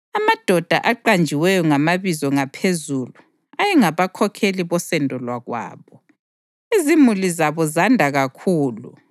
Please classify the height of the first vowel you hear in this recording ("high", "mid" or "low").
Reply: low